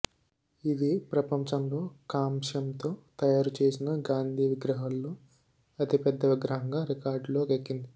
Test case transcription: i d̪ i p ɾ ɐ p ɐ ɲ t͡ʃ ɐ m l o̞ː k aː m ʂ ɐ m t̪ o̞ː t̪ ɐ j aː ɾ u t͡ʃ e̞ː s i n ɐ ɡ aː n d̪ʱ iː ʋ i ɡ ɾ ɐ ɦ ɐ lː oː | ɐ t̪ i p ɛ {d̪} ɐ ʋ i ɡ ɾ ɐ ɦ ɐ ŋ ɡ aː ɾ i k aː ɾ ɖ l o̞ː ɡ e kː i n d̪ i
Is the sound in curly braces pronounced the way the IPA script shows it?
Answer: no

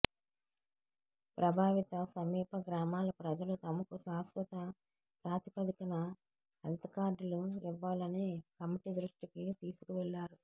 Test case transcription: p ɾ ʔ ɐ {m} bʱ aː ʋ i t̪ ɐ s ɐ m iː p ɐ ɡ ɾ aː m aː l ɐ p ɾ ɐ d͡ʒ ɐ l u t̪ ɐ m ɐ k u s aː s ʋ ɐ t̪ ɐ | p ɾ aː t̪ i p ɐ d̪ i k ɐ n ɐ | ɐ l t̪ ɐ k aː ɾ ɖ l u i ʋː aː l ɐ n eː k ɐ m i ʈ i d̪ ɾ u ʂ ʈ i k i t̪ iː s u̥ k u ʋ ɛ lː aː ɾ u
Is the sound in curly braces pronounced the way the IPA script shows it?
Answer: no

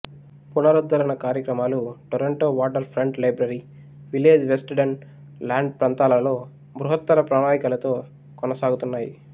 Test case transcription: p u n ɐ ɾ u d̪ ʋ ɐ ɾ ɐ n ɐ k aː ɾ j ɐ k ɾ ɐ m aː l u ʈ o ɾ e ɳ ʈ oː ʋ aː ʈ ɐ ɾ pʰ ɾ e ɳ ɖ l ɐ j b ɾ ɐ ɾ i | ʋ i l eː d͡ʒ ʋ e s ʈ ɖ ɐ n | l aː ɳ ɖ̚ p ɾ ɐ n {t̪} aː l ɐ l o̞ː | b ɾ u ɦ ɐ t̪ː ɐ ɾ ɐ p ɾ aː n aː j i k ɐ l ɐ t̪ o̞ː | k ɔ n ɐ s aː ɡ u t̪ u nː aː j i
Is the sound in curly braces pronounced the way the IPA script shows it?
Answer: yes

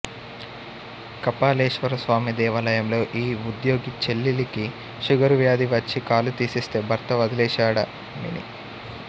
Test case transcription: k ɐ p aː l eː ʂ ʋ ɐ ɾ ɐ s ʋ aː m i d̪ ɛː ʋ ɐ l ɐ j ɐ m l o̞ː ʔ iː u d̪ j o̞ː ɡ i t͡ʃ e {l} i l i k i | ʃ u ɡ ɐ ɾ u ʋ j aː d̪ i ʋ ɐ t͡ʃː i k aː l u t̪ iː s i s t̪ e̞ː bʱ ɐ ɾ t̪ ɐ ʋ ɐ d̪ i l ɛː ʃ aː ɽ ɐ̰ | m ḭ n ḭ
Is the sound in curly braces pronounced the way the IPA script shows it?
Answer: no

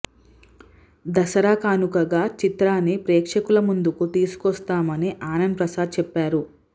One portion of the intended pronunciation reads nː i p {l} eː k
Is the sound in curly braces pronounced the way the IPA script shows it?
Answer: no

